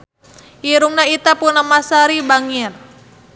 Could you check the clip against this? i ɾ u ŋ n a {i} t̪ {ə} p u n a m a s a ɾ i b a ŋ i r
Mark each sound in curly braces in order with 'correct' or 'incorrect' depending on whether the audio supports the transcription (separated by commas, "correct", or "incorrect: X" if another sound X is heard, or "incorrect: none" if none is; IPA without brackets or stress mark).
correct, incorrect: a